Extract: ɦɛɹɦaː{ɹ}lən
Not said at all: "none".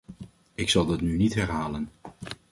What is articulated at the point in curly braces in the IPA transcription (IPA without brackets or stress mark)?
none